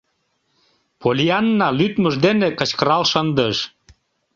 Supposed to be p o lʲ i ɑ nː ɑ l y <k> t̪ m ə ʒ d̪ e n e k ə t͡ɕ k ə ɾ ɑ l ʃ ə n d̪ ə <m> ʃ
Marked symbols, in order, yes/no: no, no

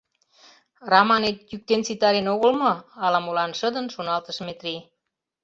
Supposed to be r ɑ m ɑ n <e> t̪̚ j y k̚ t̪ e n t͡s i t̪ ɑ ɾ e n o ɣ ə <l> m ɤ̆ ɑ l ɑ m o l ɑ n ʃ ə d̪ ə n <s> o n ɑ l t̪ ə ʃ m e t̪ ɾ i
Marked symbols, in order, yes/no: yes, yes, no

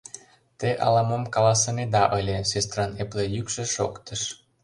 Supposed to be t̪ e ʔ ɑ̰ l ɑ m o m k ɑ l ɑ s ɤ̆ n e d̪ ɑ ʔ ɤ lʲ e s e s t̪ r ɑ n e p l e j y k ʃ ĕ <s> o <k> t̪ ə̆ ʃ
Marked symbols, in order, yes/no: no, yes

